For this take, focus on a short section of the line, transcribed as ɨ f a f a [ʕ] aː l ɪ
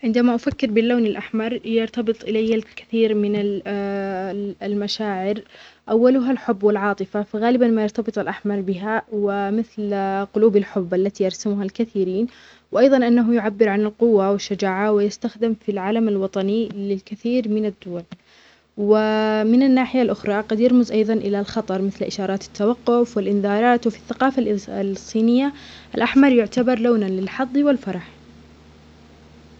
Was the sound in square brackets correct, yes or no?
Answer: no